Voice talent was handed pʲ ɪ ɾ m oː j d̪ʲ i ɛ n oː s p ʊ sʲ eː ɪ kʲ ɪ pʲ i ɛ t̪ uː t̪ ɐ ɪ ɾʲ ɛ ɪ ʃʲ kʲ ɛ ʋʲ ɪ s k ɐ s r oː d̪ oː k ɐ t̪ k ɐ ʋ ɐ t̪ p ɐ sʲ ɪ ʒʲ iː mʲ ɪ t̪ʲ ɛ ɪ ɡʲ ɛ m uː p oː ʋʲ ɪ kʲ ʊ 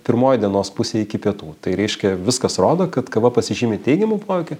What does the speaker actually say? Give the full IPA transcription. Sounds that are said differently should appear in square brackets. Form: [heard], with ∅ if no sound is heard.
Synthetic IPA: pʲ ɪ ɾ m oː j d̪ʲ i ɛ n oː s p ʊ sʲ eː ɪ kʲ ɪ pʲ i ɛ t̪ uː t̪ ɐ ɪ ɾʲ ɛ ɪ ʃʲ kʲ ɛ ʋʲ ɪ s k ɐ s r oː d̪ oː k ɐ t̪ k ɐ ʋ ɐ [∅] p ɐ sʲ ɪ ʒʲ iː mʲ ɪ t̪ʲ ɛ ɪ ɡʲ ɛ m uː p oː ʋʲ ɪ kʲ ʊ

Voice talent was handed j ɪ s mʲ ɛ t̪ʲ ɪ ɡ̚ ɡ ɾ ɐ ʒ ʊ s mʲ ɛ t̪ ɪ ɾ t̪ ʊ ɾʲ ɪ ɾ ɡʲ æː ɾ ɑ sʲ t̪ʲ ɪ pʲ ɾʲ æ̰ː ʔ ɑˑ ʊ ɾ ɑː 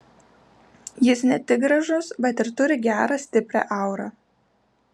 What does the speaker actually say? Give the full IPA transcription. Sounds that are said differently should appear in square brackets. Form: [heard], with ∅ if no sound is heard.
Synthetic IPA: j ɪ s [nʲ] ɛ t̪ʲ ɪ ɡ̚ ɡ ɾ ɐ ʒ ʊ s [bʲ] ɛ t̪ ɪ ɾ t̪ ʊ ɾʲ ɪ [∅] ɡʲ æː ɾ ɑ sʲ t̪ʲ ɪ pʲ ɾʲ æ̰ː ʔ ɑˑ ʊ ɾ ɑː

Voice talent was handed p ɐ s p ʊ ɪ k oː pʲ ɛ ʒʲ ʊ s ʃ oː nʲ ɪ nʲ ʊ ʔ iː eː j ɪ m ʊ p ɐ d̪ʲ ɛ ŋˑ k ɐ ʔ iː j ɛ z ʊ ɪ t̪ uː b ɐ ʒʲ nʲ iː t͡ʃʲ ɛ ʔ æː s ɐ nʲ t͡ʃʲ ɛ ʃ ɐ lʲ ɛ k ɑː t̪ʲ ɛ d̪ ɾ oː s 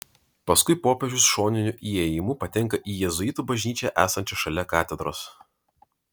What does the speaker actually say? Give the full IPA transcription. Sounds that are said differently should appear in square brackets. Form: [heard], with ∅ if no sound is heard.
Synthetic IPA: p ɐ s [k] ʊ ɪ [p] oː pʲ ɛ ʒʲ ʊ s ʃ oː nʲ ɪ nʲ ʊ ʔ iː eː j ɪ m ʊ p ɐ [t̪ʲ] ɛ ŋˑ k ɐ ʔ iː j ɛ z ʊ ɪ t̪ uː b ɐ ʒʲ nʲ iː t͡ʃʲ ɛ ʔ æː s ɐ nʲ t͡ʃʲ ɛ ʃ ɐ lʲ ɛ k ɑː t̪ʲ ɛ d̪ ɾ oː s

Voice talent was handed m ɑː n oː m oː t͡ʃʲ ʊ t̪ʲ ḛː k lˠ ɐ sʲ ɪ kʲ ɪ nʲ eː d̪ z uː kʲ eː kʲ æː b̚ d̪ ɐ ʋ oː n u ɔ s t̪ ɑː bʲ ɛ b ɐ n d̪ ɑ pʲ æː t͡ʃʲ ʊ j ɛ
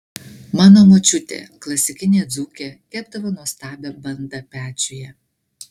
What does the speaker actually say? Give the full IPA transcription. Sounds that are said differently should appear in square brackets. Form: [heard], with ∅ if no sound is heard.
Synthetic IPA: m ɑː n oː m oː t͡ʃʲ ʊ t̪ʲ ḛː k lˠ ɐ sʲ ɪ kʲ ɪ nʲ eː d̪ z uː kʲ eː kʲ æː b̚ d̪ ɐ ʋ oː n u ɔ s t̪ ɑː bʲ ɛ b ɐ n d̪ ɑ pʲ æː t͡ʃʲ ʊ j ɛ

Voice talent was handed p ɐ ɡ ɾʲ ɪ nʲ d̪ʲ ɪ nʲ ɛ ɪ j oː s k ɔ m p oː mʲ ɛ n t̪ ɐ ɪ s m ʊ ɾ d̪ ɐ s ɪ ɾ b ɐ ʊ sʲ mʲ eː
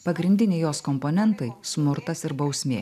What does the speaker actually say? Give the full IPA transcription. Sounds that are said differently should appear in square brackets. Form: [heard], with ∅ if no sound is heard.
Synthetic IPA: p ɐ ɡ ɾʲ ɪ nʲ d̪ʲ ɪ nʲ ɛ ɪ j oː s k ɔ m p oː [nʲ] ɛ n t̪ ɐ ɪ s m ʊ ɾ [t̪] ɐ s ɪ ɾ b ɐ ʊ sʲ mʲ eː

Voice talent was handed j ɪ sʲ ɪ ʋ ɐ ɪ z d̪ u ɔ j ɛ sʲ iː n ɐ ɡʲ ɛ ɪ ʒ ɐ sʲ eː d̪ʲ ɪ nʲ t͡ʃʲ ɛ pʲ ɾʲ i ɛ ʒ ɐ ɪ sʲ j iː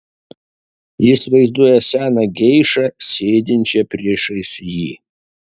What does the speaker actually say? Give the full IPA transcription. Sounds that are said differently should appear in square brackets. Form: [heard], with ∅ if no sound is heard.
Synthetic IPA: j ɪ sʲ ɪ ʋ ɐ ɪ z d̪ u ɔ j ɛ sʲ [æː] n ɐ ɡʲ ɛ ɪ [ʃ] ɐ sʲ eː d̪ʲ ɪ nʲ t͡ʃʲ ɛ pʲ ɾʲ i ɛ [ʃ] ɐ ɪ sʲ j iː

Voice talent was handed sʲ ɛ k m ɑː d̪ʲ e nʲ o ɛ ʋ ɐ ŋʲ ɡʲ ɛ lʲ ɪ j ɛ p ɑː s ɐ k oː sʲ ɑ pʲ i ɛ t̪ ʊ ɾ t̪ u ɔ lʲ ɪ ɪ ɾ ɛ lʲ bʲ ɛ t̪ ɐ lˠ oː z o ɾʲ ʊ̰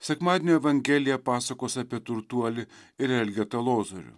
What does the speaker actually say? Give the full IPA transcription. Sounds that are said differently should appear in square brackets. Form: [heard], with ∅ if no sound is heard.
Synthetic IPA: sʲ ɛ k m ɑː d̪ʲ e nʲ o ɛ ʋ ɐ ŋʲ ɡʲ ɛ lʲ ɪ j ɛ p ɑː s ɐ k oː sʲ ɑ pʲ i ɛ t̪ ʊ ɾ t̪ u ɔ lʲ ɪ ɪ ɾ ɛ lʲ [ɡʲ] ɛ t̪ ɐ lˠ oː z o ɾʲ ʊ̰

